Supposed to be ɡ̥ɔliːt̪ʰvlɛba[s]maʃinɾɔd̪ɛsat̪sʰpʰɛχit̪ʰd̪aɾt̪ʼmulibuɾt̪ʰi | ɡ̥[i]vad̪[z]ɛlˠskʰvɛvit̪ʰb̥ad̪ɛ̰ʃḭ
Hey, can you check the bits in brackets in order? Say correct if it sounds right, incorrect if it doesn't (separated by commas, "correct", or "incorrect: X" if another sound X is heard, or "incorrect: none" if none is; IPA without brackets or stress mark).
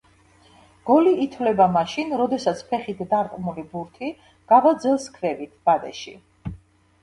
incorrect: none, incorrect: a, correct